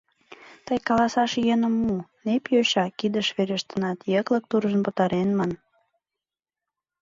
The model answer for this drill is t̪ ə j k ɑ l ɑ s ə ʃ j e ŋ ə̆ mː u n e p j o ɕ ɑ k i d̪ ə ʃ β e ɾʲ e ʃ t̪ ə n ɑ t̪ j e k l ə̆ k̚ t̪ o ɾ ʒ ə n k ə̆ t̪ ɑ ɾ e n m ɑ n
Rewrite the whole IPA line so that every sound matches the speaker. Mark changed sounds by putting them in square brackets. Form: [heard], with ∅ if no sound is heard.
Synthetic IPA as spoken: t̪ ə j k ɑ l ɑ s [ɑ] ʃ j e [n] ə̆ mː u n e p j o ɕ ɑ k i d̪ ə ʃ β e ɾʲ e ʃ t̪ ə n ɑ t̪ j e k l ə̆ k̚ t̪ [u] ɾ ʒ ə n [p] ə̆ t̪ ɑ ɾ e n m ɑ n